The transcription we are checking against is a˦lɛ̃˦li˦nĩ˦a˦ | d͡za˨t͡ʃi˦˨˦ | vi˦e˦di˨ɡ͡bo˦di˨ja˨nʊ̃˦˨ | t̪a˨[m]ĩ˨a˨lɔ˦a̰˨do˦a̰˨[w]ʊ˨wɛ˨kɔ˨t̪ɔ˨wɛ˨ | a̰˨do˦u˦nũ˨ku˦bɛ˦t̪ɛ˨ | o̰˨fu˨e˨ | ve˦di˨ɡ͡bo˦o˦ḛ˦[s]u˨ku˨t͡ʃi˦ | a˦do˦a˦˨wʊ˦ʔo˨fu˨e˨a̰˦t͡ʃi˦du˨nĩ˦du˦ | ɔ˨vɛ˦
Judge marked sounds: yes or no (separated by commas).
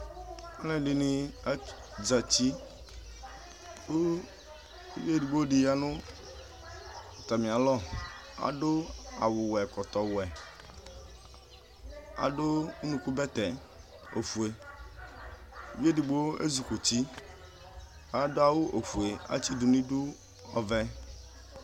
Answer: yes, yes, no